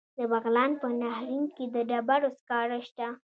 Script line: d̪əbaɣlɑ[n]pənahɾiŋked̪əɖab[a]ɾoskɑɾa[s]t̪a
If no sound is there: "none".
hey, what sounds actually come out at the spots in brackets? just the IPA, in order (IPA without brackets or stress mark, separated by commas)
n, a, ʃ